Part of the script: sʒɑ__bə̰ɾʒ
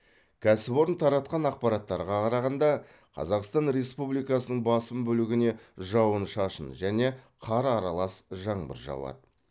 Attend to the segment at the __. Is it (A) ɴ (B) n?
A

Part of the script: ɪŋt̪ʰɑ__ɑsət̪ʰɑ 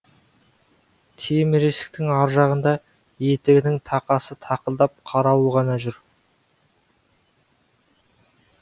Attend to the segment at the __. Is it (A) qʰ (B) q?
B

